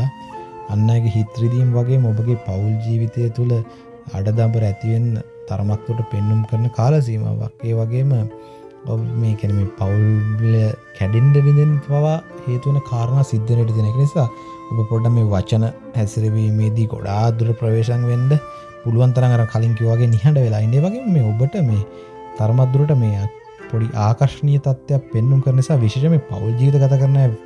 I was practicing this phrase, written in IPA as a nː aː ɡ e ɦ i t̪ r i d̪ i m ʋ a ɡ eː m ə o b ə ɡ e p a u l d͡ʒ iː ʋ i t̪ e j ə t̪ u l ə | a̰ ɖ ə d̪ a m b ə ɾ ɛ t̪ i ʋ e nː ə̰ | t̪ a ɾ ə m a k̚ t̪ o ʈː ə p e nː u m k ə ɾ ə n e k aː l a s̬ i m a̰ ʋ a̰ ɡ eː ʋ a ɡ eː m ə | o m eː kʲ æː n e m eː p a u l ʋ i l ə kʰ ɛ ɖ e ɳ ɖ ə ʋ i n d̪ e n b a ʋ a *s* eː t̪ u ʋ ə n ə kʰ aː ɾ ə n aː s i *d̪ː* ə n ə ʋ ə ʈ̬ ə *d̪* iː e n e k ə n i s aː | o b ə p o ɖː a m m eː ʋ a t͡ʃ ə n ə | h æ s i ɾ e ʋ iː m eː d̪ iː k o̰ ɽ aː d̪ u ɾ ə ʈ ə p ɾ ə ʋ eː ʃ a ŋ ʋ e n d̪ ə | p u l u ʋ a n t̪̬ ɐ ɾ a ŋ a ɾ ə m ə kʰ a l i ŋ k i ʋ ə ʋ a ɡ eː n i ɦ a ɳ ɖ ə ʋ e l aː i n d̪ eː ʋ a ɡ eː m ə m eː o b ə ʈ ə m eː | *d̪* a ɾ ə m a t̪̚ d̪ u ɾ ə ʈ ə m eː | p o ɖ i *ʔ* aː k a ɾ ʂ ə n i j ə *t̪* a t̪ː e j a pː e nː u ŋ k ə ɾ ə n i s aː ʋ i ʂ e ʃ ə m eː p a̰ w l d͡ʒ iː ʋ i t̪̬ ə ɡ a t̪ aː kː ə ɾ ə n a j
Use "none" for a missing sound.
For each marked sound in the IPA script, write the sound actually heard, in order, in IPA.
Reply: h, d̪ː, t̪, t̪, ʔ, t̪

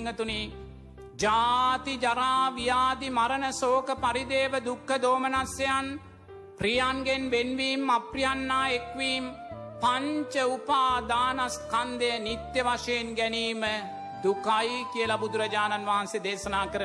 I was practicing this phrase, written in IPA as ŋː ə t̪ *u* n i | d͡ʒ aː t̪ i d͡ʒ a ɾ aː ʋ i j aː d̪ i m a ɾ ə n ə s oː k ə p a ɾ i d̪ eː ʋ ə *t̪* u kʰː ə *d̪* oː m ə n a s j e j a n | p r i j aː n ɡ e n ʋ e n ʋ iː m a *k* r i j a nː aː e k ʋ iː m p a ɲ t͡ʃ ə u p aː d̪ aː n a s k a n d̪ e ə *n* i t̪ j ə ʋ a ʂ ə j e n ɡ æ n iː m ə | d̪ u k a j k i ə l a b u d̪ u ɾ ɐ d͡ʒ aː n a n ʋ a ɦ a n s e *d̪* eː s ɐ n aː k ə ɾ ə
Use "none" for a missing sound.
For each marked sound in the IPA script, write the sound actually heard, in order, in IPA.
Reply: u, d̪, d̪, p, n, d̪

